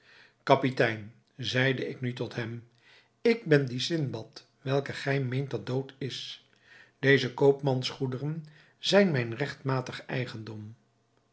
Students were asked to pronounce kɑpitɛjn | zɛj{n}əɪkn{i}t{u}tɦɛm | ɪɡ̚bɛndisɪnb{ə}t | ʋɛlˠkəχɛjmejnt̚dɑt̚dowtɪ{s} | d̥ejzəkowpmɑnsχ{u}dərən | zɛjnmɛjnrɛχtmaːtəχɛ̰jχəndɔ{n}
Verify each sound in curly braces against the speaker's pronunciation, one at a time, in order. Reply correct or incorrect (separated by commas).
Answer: incorrect, incorrect, incorrect, incorrect, correct, correct, incorrect